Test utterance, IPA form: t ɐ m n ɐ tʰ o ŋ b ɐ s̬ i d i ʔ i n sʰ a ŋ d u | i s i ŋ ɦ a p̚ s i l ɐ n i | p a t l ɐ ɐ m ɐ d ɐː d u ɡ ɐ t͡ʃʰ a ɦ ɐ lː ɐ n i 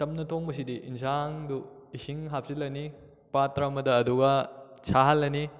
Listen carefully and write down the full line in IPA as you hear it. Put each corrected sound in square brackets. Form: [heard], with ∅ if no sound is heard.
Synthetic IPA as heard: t ɐ m n ɐ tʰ o ŋ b ɐ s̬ i d i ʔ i n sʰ a ŋ d u | i s i ŋ ɦ a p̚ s i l ɐ n i | p a t [ɾ] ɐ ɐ m ɐ d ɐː d u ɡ ɐ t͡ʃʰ a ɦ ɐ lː ɐ n i